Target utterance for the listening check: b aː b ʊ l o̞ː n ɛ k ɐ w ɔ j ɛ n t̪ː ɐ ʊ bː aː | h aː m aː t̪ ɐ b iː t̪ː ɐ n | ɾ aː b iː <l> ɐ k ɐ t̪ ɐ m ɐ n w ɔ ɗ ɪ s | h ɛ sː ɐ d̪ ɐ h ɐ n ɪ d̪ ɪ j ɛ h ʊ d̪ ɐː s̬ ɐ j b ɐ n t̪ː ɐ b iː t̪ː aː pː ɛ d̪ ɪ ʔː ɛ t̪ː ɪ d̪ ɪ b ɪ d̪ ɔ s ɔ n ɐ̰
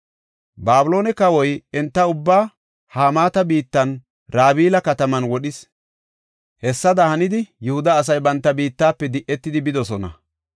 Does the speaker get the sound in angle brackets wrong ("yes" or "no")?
no